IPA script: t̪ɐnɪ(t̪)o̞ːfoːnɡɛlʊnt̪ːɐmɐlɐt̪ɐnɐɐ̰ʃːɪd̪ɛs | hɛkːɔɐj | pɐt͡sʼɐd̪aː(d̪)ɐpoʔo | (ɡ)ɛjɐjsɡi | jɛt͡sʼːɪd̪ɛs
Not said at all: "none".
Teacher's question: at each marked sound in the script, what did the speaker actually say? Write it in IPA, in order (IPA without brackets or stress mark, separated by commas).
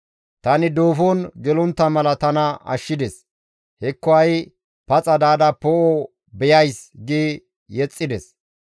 d̪, d̪, b